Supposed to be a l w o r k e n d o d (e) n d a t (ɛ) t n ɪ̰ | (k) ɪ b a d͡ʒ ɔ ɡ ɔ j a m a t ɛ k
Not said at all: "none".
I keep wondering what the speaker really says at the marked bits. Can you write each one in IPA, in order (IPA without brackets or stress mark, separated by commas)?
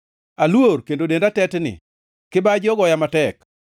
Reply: e, ɛ, k